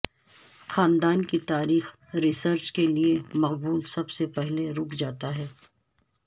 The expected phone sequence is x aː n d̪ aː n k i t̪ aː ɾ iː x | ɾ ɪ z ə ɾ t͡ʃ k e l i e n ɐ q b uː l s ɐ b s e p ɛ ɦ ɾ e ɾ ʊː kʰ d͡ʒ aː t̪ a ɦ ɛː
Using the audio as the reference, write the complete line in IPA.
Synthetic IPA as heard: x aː n d̪ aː n k i t̪ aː ɾ iː x | ɾ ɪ s ə ɾ t͡ʃ k e l i e m ɐ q b uː l s ɐ b s e p ɛ ɦ l e ɾ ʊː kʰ d͡ʒ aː t̪ a ɦ ɛː